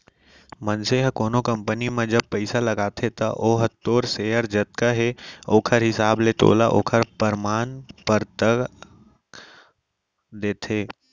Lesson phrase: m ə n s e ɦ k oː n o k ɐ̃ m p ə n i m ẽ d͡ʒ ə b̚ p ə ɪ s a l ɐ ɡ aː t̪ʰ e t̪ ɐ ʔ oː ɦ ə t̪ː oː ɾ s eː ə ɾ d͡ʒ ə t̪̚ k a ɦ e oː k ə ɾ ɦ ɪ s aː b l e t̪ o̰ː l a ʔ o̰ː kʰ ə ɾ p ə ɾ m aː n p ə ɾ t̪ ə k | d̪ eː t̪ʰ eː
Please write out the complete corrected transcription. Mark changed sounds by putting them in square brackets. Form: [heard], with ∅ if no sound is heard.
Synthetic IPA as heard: m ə n s e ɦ k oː n o k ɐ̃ m p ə n i m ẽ d͡ʒ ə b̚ p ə ɪ s a l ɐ ɡ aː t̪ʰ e t̪ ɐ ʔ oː ɦ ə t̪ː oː ɾ s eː ə ɾ d͡ʒ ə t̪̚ k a ɦ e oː [kʰ] ə ɾ ɦ ɪ s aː b l e t̪ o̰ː l a ʔ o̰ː kʰ ə ɾ p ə ɾ m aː n p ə ɾ t̪ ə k | d̪ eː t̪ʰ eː